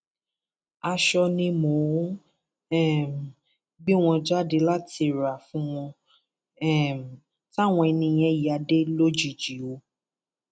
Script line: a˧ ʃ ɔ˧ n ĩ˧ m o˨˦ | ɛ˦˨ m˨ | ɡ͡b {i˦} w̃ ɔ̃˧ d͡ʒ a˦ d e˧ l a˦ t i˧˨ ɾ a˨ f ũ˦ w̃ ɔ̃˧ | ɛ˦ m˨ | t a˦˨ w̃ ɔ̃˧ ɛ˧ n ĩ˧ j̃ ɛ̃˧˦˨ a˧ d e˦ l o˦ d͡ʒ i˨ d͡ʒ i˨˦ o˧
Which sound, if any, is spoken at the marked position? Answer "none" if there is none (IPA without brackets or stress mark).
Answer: i˦